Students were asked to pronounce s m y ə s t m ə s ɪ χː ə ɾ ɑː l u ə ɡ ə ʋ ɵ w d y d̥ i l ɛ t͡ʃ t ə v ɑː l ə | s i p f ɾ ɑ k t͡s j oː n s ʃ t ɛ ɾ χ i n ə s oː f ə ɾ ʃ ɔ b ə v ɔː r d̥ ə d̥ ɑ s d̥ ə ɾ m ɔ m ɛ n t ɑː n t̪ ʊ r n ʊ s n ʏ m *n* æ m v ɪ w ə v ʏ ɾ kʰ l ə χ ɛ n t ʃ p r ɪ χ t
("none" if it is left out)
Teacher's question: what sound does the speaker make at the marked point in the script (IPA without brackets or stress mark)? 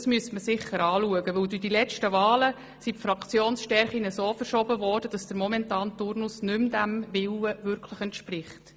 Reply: d